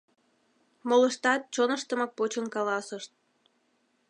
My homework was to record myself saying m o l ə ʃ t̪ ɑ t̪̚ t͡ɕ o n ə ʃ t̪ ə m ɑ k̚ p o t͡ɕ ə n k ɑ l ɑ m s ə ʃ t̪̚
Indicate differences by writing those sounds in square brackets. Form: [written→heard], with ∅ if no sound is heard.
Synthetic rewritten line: m o l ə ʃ t̪ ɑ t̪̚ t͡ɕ o n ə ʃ t̪ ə m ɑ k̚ p o t͡ɕ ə n k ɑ l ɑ [m→∅] s ə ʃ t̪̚